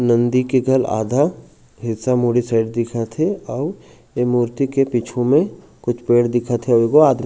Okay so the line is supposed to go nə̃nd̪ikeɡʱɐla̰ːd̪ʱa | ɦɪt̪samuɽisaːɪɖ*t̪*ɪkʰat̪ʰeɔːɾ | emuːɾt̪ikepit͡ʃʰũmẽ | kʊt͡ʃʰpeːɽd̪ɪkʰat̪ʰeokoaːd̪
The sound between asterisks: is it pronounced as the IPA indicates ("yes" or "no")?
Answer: no